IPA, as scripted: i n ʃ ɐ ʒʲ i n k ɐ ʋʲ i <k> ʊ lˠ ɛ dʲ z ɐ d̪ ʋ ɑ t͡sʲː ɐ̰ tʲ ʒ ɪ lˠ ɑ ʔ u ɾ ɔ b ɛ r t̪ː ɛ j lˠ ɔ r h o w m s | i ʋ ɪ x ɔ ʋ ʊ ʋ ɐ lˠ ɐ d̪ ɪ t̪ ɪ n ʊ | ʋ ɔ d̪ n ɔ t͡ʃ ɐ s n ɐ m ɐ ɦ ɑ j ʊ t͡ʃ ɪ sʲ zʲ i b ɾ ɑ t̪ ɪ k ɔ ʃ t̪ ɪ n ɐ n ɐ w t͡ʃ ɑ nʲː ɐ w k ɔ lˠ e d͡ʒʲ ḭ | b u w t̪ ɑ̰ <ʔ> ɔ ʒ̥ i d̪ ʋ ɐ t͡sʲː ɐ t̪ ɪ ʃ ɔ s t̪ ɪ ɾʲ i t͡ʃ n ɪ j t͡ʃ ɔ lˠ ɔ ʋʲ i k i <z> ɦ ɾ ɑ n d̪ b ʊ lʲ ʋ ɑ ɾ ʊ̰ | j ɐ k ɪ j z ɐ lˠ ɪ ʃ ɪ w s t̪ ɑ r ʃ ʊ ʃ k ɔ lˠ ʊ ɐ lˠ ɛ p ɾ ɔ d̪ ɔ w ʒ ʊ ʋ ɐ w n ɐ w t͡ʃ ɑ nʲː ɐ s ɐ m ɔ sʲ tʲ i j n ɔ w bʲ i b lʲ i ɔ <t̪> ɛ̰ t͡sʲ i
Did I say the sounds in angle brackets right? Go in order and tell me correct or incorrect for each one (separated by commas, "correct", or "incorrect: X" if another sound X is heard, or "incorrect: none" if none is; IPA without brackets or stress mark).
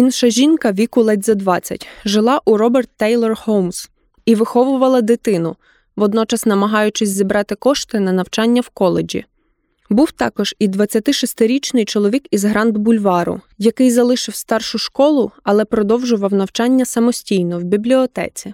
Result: correct, incorrect: k, correct, correct